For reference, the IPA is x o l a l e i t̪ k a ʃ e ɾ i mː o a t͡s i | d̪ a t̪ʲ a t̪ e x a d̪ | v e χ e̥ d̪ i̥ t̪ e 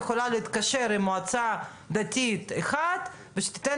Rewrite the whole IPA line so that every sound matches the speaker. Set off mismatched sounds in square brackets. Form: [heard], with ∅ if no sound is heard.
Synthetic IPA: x o l a l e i t̪ k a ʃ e ɾ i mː o a t͡s [a] | d̪ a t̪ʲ [i] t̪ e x a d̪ | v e [ʃ] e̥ [t̪] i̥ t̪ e

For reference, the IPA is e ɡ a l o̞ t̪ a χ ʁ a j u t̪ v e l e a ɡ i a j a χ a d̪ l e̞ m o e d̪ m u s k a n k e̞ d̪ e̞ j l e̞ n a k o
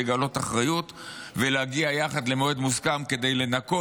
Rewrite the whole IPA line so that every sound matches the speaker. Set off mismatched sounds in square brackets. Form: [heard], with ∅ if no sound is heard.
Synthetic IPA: e ɡ a l o̞ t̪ a χ ʁ a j u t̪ v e l e a ɡ i a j a χ a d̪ l e̞ m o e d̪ m u s k a [m] k e̞ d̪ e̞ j l e̞ n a k o

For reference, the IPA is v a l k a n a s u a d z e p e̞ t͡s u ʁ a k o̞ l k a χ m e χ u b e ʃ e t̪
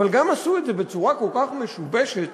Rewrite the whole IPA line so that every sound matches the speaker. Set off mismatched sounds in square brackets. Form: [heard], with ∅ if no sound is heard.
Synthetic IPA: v a l [ɡ] a [m] a s u [e] d z e [b] e̞ t͡s u ʁ a k o̞ l k a χ m e [ʃ] u b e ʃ e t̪

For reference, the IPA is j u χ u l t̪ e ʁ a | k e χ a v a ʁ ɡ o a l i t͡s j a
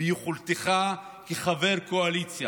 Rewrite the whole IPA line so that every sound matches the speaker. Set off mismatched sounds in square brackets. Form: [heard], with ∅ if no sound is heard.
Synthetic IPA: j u χ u l t̪ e [χ] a | k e χ a v [e] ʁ [k] o a l i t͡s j a

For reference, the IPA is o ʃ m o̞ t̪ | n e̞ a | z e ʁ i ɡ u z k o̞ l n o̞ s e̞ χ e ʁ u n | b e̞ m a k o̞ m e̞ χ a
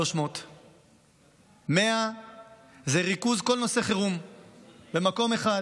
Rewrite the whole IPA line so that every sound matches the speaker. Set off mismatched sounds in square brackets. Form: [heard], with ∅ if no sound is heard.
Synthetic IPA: o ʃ m o̞ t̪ | [m] e̞ a | z e ʁ i [k] u z k o̞ l n o̞ s e̞ χ e ʁ u [m] | b e̞ m a k o̞ m e̞ χ a

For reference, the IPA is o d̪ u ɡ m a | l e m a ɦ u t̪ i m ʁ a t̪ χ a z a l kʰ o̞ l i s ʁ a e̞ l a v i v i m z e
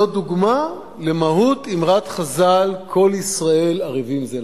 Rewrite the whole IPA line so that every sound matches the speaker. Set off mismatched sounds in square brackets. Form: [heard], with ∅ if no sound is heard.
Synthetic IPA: o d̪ u ɡ m a | l e m a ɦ u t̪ i m ʁ a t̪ χ a z a l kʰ o̞ l i s ʁ a e̞ l a [ʁ] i v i m z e

